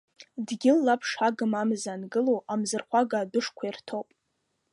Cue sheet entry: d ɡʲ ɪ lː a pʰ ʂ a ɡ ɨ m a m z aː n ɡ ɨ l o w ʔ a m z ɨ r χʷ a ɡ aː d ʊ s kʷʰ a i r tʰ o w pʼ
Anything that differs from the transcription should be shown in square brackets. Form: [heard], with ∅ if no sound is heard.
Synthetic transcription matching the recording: d ɡʲ ɪ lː a pʰ ʂ a ɡ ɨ m a m z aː n ɡ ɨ l o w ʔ a m z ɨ r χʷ a ɡ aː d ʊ [ʂ] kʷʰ a i r tʰ o w pʼ